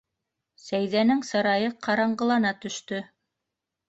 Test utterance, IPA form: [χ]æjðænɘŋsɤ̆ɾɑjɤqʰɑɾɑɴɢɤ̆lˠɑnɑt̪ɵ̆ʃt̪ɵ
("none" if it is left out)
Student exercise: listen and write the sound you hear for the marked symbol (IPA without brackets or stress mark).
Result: s